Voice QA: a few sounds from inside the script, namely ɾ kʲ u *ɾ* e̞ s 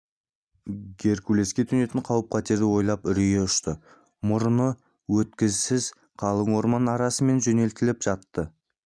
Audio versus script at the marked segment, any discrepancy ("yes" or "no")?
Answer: yes